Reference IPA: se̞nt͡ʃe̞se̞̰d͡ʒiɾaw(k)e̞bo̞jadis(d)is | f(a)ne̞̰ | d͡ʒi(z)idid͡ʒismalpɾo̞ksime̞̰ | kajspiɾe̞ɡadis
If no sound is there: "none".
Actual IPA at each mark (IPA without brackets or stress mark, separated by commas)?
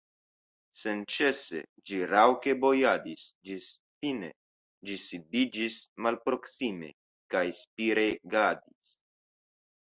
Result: k, d͡ʒ, i, s